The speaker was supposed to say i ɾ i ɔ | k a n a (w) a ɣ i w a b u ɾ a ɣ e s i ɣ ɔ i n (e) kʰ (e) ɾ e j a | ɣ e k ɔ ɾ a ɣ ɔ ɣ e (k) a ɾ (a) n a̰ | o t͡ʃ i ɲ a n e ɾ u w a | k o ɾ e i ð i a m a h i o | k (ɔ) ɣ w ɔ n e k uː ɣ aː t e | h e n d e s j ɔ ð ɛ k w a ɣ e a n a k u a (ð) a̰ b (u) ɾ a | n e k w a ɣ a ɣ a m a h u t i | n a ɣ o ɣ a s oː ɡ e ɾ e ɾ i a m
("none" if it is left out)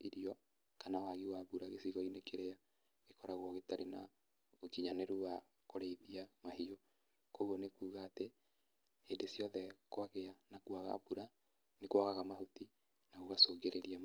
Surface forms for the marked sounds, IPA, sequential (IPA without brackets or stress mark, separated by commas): w, e, e, t, e, o, ɣ, u